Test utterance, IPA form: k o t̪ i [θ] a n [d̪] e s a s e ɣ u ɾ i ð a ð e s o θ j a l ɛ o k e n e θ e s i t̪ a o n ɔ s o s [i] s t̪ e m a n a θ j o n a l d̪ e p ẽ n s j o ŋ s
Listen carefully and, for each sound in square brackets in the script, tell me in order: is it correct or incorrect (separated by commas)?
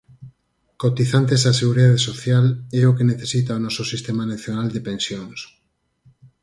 correct, incorrect, correct